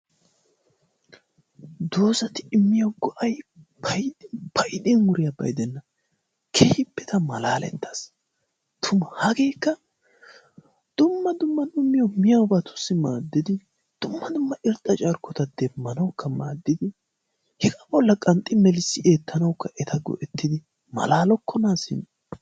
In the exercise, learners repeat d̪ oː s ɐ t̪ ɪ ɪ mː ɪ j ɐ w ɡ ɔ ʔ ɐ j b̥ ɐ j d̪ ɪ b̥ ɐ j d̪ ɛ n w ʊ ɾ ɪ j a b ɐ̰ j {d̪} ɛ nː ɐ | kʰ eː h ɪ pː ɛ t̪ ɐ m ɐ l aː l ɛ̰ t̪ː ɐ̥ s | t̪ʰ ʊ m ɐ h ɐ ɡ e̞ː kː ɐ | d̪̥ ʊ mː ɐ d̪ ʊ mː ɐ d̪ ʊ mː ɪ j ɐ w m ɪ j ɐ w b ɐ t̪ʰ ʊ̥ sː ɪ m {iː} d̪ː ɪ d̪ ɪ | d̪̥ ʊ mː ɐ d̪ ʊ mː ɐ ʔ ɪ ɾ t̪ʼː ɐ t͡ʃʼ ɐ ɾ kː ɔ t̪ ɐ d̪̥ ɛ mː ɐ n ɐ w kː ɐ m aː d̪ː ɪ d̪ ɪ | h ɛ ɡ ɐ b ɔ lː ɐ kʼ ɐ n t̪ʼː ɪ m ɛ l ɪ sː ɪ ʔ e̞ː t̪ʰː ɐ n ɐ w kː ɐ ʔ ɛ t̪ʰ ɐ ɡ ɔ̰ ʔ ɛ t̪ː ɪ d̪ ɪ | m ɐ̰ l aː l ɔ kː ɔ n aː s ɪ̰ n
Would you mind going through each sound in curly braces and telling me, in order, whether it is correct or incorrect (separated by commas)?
correct, incorrect